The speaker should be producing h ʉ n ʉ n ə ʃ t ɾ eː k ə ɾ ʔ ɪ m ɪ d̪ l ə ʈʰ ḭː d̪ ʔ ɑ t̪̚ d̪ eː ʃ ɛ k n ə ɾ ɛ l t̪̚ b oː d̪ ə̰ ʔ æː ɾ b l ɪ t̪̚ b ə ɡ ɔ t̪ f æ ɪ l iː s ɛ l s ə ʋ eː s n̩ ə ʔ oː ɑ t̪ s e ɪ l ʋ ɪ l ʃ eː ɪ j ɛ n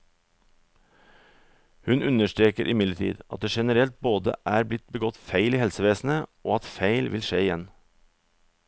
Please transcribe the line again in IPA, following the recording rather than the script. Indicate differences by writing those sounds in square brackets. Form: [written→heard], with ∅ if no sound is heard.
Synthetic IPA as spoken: h ʉ n ʉ n ə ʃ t ɾ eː k ə ɾ ʔ ɪ m ɪ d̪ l ə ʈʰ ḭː d̪ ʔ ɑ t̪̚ d̪ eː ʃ ɛ [k→∅] n ə ɾ ɛ l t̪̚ b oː d̪ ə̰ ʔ æː ɾ b l ɪ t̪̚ b ə ɡ ɔ t̪ f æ ɪ l iː [s→h] ɛ l s ə ʋ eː s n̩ ə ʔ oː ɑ t̪ [s→f] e ɪ l ʋ ɪ l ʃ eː ɪ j ɛ n